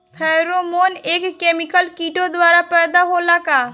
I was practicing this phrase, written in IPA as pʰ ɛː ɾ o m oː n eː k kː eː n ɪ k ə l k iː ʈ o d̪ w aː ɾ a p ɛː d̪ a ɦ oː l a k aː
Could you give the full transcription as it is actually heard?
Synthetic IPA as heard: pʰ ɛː ɾ o m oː n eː k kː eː m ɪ k ə l k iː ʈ o d̪ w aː ɾ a p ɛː d̪ a ɦ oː l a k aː